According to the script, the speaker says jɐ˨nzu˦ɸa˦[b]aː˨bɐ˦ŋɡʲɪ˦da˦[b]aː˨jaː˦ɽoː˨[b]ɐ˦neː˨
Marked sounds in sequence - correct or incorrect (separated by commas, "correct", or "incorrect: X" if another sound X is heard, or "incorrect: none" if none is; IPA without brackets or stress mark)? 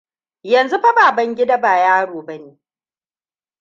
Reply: correct, correct, correct